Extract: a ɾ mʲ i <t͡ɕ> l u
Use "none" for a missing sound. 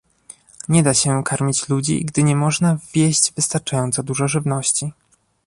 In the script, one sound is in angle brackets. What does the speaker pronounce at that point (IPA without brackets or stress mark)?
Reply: t͡ɕ